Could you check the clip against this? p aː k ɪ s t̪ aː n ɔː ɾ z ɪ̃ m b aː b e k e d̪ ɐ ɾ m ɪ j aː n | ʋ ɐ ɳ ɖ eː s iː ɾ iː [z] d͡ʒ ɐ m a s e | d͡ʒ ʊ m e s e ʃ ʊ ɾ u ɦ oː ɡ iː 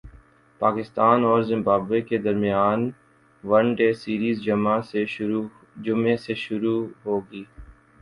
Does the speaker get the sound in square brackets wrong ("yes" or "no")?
no